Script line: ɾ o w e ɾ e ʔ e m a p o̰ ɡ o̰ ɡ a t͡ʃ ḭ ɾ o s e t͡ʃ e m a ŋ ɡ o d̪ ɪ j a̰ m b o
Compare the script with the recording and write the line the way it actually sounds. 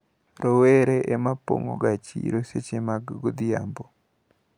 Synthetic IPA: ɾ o w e ɾ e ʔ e m a p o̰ ŋ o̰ ɡ a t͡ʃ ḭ ɾ o s e t͡ʃ e m a ɡ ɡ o d̪ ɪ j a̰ m b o